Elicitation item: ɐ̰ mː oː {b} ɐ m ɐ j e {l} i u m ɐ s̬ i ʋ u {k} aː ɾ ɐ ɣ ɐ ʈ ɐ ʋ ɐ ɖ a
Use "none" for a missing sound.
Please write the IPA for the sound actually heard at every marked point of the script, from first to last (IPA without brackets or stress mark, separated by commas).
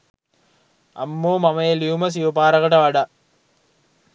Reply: m, l, p